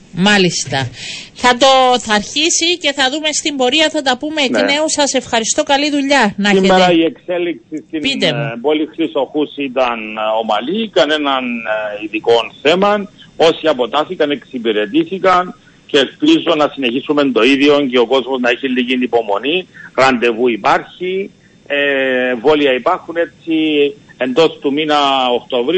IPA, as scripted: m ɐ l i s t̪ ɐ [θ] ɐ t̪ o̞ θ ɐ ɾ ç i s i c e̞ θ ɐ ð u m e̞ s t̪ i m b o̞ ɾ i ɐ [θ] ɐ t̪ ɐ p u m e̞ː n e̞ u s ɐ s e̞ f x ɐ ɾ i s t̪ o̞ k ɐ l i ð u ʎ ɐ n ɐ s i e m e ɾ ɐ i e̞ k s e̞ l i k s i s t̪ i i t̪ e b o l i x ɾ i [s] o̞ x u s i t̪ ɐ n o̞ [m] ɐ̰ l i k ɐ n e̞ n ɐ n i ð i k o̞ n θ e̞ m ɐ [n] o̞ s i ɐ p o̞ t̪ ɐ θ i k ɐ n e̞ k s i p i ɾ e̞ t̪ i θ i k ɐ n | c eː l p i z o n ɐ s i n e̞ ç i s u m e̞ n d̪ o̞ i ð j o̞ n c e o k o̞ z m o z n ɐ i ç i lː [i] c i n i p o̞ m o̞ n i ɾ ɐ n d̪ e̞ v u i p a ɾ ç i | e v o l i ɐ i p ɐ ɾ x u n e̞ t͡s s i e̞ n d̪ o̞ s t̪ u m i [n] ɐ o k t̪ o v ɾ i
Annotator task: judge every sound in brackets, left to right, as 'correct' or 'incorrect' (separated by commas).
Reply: correct, correct, correct, correct, correct, correct, correct